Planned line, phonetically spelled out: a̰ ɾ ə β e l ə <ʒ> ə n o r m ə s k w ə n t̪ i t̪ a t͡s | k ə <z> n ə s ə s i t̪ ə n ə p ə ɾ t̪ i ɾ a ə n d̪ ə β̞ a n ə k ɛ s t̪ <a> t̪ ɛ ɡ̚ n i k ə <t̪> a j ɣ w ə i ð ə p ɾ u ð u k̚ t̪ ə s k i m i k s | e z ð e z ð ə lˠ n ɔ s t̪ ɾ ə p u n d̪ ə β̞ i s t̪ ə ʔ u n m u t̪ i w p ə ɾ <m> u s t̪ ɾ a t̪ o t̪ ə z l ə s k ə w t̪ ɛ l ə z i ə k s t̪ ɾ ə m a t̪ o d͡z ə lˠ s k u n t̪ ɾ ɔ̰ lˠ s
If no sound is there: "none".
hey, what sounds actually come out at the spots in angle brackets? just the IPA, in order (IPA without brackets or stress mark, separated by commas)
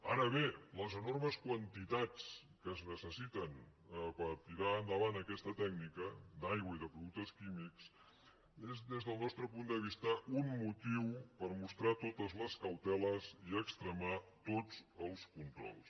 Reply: z, z, ə, d̪, m